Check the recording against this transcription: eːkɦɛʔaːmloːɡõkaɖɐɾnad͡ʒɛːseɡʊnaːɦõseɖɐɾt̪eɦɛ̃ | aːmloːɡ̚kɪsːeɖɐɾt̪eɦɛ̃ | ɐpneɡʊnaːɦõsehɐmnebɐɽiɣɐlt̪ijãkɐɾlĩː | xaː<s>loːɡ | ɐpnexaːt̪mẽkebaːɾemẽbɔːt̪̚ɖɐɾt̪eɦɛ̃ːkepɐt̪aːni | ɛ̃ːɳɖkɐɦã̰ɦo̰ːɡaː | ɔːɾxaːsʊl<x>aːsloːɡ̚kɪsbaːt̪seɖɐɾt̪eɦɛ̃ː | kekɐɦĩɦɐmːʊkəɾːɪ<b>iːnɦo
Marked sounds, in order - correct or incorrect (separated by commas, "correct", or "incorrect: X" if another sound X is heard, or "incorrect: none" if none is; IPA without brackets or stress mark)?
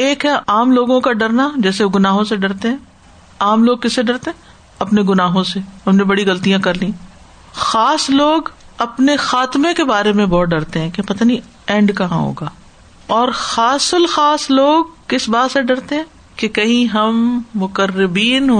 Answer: correct, correct, correct